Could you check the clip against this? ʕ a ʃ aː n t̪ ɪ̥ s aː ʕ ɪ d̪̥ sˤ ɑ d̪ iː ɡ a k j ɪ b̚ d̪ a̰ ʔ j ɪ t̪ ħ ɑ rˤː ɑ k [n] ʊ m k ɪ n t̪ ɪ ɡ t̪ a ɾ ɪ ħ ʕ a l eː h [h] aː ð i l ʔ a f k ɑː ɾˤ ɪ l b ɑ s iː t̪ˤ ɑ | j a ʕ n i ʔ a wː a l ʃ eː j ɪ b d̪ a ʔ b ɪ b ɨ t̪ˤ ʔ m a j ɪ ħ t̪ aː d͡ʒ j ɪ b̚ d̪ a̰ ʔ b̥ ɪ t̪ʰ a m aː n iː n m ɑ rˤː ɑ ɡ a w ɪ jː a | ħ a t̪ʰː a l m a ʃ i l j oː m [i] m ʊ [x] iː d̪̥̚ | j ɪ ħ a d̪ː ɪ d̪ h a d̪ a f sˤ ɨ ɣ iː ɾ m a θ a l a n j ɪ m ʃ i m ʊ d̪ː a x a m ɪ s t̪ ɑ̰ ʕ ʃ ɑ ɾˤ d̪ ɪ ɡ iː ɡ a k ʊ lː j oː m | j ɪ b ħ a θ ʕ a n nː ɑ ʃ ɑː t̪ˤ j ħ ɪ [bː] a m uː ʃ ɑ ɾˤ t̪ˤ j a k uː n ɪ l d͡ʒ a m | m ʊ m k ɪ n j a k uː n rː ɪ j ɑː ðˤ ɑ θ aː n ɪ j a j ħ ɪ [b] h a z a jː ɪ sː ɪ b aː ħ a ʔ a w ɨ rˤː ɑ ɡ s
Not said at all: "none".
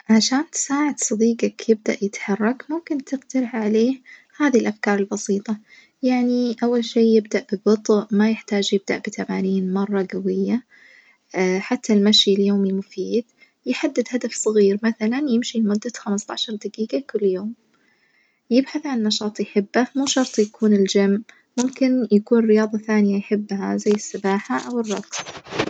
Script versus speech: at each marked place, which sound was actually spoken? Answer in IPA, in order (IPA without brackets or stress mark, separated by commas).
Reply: m, h, i, f, bː, bː